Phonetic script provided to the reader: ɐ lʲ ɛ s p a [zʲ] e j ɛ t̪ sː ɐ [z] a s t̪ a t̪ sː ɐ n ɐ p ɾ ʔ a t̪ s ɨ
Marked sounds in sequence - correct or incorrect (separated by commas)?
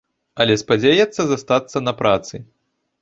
incorrect, correct